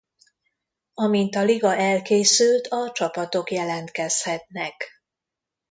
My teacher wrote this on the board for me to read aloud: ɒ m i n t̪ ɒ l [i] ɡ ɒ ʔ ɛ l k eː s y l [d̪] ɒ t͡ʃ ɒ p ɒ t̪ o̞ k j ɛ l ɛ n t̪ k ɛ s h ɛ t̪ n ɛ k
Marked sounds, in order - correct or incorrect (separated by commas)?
correct, incorrect